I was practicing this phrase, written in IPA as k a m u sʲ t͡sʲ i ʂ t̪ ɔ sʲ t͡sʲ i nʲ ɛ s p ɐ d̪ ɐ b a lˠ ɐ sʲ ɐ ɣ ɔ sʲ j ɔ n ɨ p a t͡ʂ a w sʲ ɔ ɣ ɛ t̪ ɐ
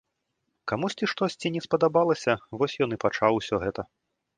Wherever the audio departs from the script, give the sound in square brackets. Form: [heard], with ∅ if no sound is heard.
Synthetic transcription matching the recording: k a m u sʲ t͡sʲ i ʂ t̪ ɔ sʲ t͡sʲ i nʲ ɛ s p ɐ d̪ [a] b a lˠ ɐ sʲ ɐ [v] ɔ sʲ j ɔ n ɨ p a t͡ʂ a w sʲ ɔ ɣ ɛ t̪ ɐ